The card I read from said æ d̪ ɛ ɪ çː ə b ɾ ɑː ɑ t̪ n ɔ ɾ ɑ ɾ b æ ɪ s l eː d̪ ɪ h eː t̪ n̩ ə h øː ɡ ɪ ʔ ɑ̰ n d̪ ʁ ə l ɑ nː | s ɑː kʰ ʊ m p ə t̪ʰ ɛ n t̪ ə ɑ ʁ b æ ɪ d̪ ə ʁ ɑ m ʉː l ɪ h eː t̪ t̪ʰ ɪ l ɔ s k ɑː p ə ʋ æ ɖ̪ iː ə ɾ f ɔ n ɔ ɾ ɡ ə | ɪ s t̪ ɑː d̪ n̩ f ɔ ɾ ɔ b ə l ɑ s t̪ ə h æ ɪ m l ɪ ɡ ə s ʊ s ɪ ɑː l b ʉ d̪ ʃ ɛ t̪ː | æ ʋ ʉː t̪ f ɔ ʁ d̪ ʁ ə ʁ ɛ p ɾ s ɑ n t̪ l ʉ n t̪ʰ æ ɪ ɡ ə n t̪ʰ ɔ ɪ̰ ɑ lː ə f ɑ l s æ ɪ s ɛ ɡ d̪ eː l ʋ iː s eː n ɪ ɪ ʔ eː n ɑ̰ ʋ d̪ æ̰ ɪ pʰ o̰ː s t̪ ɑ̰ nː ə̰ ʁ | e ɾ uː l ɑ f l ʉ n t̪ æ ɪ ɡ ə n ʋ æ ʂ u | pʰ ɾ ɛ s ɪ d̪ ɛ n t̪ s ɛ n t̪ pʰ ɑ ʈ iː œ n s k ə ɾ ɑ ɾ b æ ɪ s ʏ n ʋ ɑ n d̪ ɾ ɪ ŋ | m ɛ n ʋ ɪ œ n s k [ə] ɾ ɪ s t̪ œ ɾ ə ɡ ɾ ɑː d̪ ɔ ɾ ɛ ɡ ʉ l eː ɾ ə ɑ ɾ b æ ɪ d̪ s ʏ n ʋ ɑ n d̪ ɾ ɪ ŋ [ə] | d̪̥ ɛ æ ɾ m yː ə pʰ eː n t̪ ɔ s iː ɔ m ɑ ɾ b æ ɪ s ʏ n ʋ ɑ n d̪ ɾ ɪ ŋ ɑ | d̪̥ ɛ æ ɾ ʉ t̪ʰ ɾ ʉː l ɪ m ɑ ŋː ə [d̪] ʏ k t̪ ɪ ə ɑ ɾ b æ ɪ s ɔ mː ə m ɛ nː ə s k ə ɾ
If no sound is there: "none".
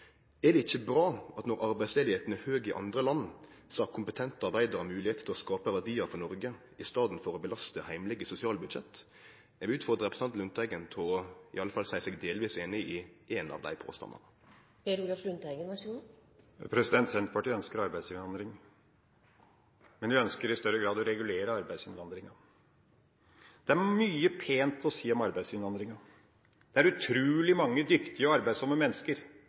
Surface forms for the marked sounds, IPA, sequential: ə, ɑ, d̪

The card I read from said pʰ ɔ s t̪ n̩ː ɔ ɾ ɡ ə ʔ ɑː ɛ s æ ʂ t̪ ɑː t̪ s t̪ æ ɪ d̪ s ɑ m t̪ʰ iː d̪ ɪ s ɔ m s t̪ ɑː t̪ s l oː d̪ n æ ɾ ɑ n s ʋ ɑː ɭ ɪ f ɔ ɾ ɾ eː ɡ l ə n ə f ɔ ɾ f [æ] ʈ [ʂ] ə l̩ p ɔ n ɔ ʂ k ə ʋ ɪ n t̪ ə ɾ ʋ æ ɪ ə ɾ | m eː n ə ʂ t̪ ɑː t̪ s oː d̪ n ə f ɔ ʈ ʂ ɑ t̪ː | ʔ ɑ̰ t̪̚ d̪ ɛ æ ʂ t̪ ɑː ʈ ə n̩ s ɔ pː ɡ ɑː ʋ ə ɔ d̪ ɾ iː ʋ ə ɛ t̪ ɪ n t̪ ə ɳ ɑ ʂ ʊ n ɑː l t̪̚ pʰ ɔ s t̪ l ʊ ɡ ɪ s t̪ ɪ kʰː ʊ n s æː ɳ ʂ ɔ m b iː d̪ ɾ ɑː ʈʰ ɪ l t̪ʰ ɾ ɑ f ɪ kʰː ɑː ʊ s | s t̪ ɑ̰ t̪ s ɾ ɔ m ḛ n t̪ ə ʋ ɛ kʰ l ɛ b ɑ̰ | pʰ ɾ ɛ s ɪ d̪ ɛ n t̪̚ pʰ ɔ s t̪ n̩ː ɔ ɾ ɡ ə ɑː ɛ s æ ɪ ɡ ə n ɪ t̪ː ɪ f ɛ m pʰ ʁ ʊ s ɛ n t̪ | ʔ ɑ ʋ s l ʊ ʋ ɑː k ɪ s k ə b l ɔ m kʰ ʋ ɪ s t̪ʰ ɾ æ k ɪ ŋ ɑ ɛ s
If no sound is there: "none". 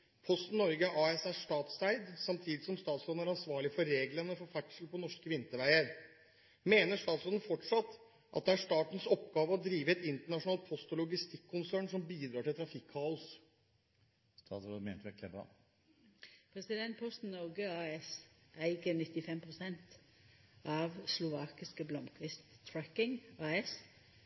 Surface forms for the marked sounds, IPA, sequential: æ, ʂ

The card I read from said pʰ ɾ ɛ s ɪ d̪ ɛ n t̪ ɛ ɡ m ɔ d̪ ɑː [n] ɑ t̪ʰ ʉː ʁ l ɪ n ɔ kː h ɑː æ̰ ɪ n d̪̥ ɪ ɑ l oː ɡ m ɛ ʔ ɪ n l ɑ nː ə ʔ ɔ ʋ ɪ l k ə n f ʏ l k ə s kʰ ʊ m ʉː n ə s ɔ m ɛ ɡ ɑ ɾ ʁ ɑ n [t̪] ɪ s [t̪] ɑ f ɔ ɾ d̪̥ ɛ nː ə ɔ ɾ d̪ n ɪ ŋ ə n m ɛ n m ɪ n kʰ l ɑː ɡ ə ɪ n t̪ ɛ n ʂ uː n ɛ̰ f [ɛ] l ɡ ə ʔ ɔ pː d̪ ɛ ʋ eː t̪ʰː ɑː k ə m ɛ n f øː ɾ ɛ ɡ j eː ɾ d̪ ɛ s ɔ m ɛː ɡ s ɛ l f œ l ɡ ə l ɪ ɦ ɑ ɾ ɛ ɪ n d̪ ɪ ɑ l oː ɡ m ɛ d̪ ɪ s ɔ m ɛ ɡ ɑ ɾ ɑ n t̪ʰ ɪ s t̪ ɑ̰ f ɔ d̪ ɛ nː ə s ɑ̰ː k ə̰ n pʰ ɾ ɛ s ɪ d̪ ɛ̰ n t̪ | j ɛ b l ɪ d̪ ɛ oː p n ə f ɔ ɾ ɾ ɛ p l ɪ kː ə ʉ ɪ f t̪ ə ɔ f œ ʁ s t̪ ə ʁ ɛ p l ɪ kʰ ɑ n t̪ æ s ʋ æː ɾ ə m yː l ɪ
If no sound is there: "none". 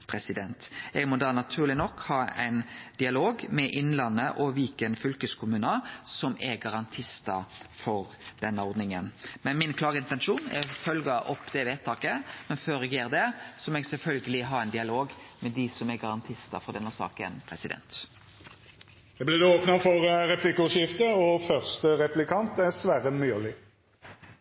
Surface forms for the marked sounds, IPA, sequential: n, t̪ʰ, t̪, œ

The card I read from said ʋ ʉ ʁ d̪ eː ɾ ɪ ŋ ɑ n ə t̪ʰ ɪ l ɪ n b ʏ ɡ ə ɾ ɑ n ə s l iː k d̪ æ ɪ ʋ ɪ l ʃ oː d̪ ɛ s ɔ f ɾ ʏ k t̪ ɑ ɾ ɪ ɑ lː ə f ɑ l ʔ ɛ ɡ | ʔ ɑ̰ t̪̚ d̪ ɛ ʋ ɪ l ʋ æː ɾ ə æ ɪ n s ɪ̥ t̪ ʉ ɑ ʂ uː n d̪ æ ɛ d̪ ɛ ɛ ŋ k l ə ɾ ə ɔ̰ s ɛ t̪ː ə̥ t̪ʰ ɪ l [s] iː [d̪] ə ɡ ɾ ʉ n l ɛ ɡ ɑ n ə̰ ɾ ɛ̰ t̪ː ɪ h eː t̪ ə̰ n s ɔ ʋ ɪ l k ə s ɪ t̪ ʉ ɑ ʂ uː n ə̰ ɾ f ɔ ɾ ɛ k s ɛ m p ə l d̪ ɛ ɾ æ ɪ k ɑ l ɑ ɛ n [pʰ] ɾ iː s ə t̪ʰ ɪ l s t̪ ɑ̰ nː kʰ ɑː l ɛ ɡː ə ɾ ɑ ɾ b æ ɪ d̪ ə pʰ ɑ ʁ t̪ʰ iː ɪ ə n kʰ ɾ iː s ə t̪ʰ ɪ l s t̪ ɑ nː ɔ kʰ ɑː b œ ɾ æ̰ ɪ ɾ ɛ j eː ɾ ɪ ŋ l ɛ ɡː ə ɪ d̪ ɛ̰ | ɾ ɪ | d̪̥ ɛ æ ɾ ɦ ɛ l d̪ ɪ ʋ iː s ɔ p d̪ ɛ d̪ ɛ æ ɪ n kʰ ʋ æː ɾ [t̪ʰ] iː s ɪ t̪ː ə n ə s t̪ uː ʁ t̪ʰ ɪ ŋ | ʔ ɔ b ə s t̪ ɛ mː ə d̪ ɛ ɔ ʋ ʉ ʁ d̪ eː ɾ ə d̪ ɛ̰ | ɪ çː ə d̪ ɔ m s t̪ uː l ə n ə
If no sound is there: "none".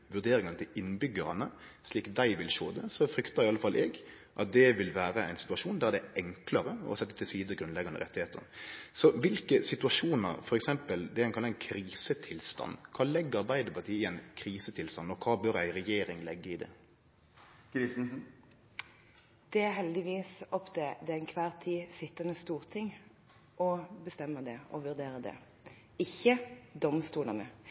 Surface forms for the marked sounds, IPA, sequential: s, d̪, kʰ, t̪ʰ

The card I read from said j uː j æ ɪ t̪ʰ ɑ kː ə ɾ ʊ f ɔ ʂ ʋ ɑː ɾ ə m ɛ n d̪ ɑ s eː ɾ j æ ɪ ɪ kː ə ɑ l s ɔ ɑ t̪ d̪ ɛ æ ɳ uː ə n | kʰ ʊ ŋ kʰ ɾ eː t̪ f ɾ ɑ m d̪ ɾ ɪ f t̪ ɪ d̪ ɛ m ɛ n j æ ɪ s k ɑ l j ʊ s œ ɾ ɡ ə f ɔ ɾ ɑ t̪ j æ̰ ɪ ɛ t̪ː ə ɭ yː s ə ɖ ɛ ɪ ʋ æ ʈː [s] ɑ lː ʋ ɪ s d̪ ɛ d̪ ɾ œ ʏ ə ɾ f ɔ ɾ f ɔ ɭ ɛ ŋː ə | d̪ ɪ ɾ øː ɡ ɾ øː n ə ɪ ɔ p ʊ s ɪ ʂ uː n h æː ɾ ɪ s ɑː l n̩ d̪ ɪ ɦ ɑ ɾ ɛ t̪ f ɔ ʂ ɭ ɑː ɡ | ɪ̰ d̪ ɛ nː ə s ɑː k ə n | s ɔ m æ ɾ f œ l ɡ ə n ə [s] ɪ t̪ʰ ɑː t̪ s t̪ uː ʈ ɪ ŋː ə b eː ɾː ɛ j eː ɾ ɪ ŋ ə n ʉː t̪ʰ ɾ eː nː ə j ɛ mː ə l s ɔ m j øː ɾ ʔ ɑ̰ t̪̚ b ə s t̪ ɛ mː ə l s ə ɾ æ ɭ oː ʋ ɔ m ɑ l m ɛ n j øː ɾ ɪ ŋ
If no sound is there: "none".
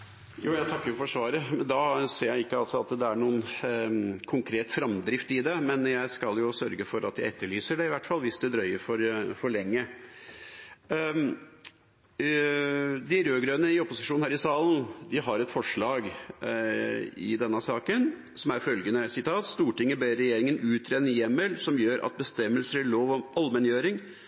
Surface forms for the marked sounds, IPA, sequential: f, s

